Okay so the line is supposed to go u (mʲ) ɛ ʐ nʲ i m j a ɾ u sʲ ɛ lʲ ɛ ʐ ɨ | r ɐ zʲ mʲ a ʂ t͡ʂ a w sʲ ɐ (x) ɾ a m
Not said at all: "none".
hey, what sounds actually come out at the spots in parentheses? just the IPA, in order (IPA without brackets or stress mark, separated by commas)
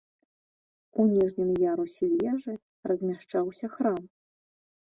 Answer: nʲ, x